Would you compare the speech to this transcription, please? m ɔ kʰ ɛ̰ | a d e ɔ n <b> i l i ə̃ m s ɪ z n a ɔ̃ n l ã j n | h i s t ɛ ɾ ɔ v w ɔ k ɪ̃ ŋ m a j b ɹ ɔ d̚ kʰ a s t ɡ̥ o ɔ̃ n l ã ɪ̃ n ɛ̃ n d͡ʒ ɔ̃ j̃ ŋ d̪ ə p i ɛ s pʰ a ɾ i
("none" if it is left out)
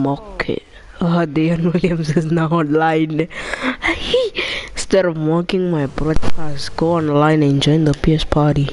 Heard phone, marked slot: w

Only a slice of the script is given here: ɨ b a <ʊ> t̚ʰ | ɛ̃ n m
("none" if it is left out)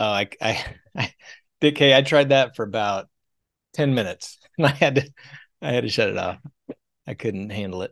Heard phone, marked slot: ʊ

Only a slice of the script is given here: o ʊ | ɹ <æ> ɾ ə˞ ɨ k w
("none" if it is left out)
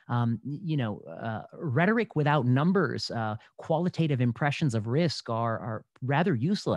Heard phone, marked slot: ɛ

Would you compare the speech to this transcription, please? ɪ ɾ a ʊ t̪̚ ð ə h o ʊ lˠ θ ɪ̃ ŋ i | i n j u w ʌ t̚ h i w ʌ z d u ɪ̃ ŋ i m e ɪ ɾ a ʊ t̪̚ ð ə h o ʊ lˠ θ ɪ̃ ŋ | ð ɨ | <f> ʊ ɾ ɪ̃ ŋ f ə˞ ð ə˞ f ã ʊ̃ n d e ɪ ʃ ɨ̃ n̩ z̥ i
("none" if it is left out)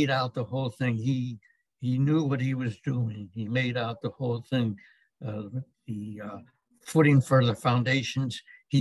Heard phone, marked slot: f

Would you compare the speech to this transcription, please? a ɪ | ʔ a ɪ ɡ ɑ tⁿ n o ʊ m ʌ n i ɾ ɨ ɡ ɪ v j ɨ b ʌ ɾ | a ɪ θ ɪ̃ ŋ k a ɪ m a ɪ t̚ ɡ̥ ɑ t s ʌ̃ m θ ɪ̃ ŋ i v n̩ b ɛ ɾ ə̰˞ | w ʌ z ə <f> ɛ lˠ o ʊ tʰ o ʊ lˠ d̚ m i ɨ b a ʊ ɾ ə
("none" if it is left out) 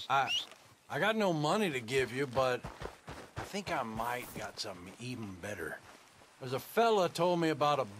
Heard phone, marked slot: f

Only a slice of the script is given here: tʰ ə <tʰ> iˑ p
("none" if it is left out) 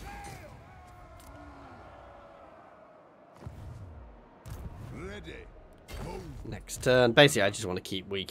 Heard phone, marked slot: kʰ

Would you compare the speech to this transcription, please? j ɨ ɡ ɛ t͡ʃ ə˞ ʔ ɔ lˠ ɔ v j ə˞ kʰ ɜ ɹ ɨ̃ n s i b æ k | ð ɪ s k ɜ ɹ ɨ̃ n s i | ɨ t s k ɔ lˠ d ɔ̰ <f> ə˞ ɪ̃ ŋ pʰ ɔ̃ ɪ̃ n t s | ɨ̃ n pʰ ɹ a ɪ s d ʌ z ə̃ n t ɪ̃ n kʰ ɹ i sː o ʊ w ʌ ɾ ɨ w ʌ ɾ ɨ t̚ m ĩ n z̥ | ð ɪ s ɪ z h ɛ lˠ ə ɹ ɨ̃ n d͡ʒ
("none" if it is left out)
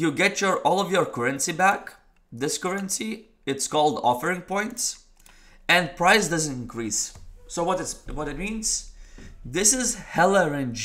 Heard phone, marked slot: f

